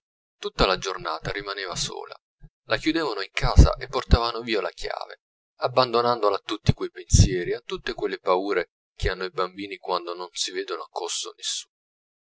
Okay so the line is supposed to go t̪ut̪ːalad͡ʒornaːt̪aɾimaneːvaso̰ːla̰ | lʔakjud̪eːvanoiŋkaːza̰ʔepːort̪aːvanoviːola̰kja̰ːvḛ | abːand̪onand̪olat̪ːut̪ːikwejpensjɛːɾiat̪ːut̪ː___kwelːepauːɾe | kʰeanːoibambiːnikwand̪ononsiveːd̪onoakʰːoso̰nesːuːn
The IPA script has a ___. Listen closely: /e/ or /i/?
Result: e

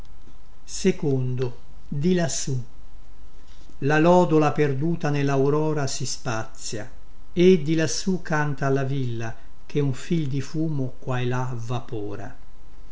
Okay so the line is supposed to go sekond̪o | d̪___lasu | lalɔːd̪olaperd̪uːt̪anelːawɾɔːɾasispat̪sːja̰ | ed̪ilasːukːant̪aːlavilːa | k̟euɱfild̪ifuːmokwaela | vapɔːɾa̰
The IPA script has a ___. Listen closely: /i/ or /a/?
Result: i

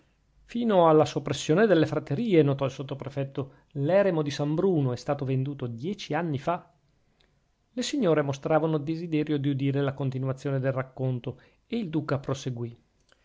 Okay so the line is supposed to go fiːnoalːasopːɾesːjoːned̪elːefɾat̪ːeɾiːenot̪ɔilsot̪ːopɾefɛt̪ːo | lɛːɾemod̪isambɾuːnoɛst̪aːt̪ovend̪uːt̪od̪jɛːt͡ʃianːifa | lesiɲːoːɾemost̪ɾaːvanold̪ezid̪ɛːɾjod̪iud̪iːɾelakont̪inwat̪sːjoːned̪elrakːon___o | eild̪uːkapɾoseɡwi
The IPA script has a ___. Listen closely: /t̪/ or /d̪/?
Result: t̪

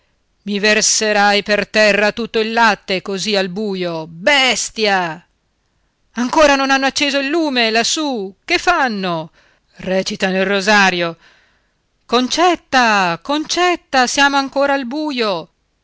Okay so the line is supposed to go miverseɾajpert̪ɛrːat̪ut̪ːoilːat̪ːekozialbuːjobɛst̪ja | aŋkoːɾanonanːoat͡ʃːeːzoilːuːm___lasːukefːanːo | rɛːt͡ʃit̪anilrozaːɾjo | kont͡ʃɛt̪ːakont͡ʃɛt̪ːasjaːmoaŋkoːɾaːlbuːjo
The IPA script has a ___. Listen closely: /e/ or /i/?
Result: e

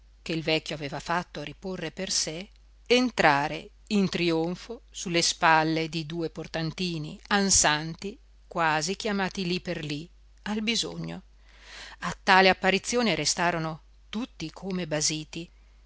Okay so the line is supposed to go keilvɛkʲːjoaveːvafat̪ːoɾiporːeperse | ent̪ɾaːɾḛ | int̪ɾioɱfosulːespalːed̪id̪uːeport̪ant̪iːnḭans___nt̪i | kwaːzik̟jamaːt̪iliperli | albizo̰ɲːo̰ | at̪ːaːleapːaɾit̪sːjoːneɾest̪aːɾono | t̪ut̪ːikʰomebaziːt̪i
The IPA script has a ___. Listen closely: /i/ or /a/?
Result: a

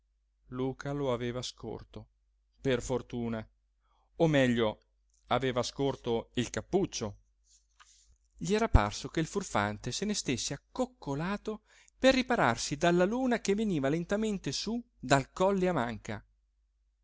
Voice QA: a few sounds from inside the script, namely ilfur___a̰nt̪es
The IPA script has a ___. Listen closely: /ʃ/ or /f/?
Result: f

